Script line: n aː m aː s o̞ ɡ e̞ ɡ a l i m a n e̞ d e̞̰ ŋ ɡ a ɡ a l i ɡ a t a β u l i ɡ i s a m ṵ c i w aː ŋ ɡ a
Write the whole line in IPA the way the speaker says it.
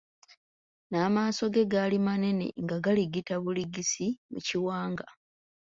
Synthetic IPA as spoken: n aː m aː s o̞ ɡ e̞ ɡ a l i m a n e̞ n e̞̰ ŋ ɡ a ɡ a l i ɡ i t a β u l i ɡ i s i m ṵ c i w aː ŋ ɡ a

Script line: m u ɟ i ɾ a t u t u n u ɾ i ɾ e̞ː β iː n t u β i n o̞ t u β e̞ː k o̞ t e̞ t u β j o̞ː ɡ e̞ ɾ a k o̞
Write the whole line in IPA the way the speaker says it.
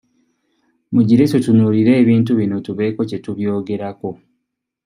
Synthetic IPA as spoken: m u ɟ i ɾ e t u t u n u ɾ i ɾ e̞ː β iː n t u β i n o̞ t u β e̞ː k o̞ c e̞ t u β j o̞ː ɡ e̞ ɾ a k o̞

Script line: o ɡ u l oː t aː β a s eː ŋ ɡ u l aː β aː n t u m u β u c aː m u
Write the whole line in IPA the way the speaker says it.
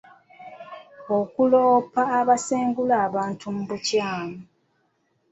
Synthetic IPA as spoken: o k u l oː p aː β a s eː ŋ ɡ u l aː β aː n t u m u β u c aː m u

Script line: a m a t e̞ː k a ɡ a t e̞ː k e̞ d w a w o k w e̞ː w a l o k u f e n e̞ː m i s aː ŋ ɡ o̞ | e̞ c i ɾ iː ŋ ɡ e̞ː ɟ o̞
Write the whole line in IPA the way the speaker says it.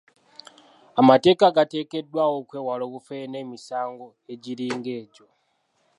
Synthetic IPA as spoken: a m a t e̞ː k a ɡ a t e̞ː k e̞ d w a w o k w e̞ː w a l o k u f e n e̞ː m i s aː ŋ ɡ o̞ | e̞ ɟ i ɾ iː ŋ ɡ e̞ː ɟ o̞

